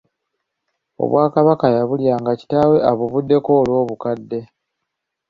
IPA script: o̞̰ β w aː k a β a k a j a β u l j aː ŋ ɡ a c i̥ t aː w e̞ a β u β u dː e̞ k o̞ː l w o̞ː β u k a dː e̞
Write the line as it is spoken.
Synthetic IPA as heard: o̞̰ β w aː k a β a k a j a β u l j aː ŋ ɡ a c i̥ t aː w e̞ a β u β u dː e̞ k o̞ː l w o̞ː β u k a dː e̞